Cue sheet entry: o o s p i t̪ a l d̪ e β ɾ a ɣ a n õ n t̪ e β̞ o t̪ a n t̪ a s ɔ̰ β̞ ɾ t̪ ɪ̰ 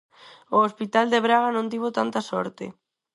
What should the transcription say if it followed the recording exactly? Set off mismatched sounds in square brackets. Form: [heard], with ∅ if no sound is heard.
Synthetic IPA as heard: o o s p i t̪ a l d̪ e β ɾ a ɣ a n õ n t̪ [i] β̞ o t̪ a n t̪ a s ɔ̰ [∅] ɾ t̪ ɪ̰